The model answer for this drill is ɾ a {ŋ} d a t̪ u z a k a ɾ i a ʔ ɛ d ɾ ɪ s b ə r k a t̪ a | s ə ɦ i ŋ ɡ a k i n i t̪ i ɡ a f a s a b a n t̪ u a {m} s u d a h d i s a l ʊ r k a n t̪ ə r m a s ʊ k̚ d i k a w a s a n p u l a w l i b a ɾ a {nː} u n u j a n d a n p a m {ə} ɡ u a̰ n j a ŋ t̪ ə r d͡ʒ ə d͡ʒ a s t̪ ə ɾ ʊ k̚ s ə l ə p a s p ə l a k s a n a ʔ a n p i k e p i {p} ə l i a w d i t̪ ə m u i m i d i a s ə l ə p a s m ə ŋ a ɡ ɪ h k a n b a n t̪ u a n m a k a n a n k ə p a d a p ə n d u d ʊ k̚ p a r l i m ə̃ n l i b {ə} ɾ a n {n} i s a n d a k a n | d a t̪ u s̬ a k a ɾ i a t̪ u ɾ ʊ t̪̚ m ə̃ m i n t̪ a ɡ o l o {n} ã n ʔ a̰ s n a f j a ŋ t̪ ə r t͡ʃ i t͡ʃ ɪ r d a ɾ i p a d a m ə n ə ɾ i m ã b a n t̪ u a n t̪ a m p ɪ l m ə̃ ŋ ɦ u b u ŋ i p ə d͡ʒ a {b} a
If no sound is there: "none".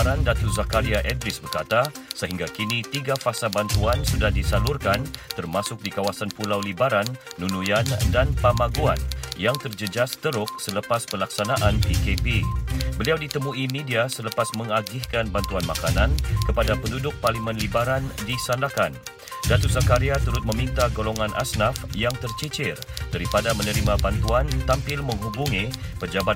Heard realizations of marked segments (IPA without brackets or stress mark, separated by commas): n, n, nː, a, b, a, d, ŋ, b